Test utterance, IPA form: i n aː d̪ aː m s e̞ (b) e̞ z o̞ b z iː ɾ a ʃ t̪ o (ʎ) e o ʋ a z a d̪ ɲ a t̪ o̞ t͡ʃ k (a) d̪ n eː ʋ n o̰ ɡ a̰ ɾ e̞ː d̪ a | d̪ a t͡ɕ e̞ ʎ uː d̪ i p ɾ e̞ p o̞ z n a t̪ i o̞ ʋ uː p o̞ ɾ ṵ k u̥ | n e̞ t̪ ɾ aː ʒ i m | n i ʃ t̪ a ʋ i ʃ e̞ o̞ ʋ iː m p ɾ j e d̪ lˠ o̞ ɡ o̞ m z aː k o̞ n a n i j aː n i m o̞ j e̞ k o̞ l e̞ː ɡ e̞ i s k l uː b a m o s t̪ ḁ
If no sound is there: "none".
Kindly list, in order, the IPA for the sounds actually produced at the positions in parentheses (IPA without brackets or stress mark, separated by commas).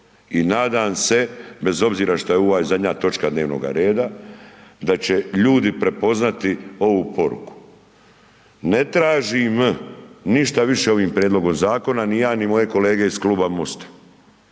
b, j, a